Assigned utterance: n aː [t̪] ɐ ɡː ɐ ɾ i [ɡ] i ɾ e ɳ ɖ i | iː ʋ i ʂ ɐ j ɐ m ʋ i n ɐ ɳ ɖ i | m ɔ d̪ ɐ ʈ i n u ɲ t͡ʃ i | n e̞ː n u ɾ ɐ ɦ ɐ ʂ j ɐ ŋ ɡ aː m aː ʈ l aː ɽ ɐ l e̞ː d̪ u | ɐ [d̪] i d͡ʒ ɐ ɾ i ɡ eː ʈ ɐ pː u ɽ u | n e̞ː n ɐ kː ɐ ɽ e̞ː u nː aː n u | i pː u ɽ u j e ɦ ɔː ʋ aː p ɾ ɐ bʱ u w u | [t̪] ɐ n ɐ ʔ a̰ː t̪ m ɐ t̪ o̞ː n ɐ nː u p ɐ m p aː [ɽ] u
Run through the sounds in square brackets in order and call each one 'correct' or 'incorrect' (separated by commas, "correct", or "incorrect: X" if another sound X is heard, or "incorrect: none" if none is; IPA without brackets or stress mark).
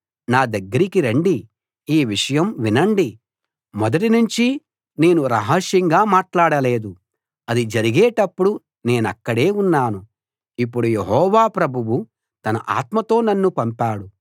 incorrect: d̪, incorrect: k, correct, correct, correct